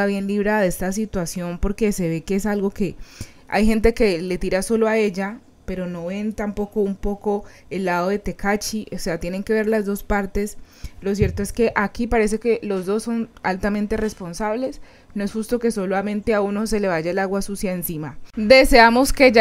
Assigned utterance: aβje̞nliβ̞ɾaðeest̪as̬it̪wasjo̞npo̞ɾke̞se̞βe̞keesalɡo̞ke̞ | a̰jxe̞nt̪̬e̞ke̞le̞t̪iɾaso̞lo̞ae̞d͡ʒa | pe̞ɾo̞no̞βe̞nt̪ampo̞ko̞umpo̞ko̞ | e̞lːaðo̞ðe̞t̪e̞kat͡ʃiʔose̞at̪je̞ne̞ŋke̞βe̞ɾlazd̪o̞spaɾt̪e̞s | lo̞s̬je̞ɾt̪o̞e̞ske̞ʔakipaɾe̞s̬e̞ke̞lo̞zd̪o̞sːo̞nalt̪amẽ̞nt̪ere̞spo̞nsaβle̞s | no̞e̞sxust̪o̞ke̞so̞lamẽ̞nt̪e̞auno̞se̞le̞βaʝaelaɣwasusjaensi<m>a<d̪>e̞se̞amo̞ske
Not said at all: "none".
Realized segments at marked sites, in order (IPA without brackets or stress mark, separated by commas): m, d̪